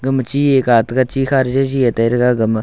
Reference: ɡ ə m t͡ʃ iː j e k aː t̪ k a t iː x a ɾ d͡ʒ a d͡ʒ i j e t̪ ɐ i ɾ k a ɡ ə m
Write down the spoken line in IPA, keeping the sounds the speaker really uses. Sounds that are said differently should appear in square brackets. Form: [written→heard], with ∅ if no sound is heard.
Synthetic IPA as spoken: ɡ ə m t͡ʃ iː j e k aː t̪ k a [t→t͡ʃ] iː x a ɾ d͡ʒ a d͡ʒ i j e t̪ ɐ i ɾ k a ɡ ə m